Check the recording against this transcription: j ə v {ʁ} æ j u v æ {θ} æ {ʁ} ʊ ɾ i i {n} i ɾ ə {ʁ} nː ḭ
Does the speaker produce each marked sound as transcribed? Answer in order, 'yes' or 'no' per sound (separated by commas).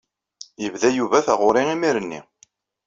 no, yes, yes, no, no